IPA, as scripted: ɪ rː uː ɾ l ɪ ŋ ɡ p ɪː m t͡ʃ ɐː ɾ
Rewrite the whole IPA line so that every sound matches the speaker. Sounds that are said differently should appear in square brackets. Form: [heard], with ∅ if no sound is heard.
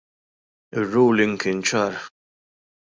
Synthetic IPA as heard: ɪ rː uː [∅] l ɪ ŋ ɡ [k] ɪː [n] t͡ʃ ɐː ɾ